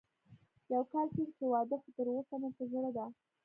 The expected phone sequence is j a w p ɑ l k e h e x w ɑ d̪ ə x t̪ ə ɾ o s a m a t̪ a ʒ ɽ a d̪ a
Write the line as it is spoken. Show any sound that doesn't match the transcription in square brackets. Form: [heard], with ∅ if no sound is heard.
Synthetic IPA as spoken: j a w [k] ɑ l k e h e [∅] w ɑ d̪ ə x t̪ ə ɾ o s a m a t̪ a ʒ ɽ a d̪ a